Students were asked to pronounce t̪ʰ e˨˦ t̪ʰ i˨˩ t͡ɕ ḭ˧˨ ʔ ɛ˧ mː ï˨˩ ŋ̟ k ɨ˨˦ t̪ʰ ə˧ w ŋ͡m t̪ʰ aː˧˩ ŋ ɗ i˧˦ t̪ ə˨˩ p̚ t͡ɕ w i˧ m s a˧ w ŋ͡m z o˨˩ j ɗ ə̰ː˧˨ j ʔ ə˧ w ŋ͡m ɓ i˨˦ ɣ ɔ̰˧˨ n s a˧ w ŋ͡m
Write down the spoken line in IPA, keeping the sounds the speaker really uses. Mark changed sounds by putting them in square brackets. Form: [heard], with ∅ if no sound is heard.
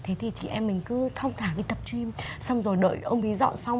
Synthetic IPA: t̪ʰ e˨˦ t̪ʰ i˨˩ t͡ɕ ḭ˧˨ ʔ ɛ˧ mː ï˨˩ ŋ̟ k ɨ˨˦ t̪ʰ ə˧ w ŋ͡m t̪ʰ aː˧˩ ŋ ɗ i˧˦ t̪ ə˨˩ p̚ t͡ɕ w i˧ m s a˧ w ŋ͡m z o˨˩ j ɗ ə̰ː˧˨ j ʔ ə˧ w ŋ͡m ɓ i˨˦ [z] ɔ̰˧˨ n s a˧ w ŋ͡m

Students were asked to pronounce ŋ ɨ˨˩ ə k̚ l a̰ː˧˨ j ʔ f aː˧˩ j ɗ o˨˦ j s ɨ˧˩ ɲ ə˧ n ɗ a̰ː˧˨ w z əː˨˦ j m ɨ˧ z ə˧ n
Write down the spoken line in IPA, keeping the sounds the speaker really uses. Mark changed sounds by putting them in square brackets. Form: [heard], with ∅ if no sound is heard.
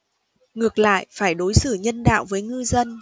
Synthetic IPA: ŋ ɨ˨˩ ə k̚ l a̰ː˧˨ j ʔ f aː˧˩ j ɗ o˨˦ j s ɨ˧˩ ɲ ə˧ n ɗ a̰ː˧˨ w [v] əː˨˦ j [ŋ] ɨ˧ z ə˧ n

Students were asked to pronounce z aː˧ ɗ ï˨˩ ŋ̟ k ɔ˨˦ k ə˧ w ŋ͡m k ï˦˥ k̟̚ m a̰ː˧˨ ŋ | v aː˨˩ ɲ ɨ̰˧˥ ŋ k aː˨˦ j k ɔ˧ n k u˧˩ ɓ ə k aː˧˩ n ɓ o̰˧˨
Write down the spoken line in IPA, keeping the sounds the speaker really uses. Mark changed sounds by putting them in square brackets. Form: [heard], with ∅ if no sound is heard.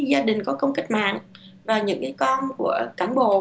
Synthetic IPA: z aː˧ ɗ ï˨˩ ŋ̟ k ɔ˨˦ k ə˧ w ŋ͡m k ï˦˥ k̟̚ m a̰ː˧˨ ŋ | v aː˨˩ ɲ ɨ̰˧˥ ŋ k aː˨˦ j k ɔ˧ n k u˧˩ [∅] ə k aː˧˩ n ɓ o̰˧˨

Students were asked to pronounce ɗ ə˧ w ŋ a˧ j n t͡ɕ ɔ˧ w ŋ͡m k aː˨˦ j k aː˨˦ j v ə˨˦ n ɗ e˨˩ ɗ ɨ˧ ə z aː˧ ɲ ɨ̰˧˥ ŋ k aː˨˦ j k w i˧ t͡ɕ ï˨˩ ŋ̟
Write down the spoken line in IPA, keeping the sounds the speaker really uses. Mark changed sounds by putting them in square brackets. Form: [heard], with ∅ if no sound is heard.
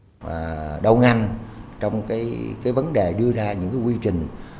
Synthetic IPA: ɗ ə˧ w ŋ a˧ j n t͡ɕ ɔ˧ w ŋ͡m k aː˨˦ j k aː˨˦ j v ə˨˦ n ɗ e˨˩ ɗ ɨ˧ ə z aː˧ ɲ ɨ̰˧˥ ŋ k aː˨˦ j k w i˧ t͡ɕ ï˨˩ ŋ̟

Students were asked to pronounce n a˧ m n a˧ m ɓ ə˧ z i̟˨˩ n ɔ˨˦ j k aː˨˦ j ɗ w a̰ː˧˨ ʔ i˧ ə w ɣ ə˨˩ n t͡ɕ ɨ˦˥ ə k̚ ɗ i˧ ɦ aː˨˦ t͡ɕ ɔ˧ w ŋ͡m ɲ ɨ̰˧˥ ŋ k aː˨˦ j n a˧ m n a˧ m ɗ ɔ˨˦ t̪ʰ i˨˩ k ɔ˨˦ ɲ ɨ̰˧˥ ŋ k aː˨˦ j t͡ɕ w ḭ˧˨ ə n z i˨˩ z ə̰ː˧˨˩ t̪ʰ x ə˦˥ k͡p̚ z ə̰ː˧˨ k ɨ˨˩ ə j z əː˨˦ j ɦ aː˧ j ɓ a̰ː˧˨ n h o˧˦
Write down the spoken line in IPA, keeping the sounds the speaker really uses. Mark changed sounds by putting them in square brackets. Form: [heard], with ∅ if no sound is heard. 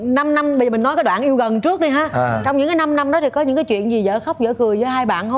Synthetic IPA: n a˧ m n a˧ m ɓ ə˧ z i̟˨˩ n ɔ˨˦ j k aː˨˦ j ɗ w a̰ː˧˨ ʔ i˧ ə w ɣ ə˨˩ n t͡ɕ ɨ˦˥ ə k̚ ɗ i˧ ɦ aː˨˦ t͡ɕ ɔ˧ w ŋ͡m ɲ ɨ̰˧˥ ŋ k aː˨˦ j n a˧ m n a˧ m ɗ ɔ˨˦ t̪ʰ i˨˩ k ɔ˨˦ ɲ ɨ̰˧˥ ŋ k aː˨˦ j t͡ɕ w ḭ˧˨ ə n z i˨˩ z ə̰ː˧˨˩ [∅] x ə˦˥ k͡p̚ z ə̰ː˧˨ k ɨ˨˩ ə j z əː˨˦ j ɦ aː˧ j ɓ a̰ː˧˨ n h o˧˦

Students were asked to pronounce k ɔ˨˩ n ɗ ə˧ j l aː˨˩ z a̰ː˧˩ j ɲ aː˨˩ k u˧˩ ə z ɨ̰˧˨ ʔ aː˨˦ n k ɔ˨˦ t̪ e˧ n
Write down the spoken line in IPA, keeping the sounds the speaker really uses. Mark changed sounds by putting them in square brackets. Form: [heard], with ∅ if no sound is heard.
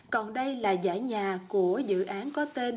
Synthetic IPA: k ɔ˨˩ n ɗ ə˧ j l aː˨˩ z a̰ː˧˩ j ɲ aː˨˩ k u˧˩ ə z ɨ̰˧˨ ʔ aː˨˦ n k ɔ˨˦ t̪ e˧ n

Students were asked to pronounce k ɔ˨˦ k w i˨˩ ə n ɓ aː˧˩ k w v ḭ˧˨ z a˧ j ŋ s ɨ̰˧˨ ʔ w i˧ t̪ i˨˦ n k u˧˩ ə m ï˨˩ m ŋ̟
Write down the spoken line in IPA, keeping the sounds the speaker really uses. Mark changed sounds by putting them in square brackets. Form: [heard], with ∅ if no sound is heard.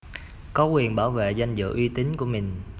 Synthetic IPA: k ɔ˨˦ k w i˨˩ ə n ɓ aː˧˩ [∅] w v [ḛ˧˨] z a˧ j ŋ [z] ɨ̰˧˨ ʔ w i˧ t̪ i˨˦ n k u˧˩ ə m ï˨˩ [∅] ŋ̟

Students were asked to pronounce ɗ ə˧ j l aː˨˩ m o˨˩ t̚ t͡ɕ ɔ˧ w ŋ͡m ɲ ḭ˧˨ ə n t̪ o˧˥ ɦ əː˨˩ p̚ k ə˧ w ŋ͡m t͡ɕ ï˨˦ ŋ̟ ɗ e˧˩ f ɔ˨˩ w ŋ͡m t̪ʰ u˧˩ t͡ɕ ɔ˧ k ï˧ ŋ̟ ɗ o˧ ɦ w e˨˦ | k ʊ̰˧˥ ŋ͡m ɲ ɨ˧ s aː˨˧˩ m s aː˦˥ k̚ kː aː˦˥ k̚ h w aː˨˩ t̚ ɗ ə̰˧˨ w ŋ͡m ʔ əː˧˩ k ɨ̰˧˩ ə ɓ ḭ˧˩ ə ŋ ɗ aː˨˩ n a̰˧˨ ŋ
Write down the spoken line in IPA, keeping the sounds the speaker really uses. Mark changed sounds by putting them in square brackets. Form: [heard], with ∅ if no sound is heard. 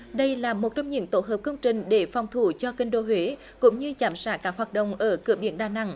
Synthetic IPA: ɗ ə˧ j l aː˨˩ m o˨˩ t̚ t͡ɕ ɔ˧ w ŋ͡m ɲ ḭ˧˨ ə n t̪ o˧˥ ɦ əː˨˩ p̚ k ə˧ w ŋ͡m t͡ɕ [ï˨˩] ŋ̟ ɗ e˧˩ f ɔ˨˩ w ŋ͡m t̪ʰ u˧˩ t͡ɕ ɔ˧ k ï˧ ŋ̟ ɗ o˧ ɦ w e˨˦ | k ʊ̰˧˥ ŋ͡m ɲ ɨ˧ [z] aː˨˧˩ m s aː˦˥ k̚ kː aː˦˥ k̚ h w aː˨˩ t̚ ɗ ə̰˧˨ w ŋ͡m ʔ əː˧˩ k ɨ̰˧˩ ə ɓ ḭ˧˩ ə [n] ɗ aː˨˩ n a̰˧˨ ŋ

